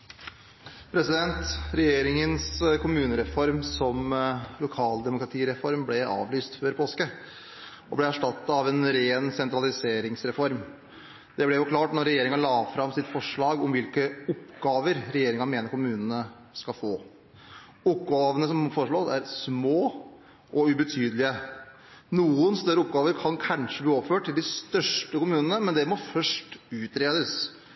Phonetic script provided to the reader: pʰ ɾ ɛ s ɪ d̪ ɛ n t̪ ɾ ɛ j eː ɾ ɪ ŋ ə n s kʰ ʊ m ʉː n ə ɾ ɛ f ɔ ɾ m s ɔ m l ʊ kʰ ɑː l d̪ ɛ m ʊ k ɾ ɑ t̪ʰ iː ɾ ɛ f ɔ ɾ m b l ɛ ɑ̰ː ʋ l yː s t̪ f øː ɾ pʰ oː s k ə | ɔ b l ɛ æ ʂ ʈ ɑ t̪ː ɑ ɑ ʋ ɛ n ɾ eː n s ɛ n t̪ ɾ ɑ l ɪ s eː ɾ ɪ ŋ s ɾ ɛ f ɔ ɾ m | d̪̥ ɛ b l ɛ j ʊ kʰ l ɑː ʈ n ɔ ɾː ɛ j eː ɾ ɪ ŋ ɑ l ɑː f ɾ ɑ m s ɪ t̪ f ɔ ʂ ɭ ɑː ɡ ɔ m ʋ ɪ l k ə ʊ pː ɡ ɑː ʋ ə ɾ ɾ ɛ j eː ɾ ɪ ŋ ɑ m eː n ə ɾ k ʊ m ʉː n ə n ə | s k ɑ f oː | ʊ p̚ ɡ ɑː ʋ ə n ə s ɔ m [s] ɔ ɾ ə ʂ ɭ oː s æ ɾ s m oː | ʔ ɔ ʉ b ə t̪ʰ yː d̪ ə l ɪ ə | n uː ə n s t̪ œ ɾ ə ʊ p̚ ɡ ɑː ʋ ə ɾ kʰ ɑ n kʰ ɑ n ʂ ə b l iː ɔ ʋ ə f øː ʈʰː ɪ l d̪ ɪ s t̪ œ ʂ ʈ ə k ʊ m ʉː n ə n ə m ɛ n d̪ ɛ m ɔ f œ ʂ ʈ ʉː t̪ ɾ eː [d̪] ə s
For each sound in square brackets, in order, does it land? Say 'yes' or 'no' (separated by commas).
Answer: no, yes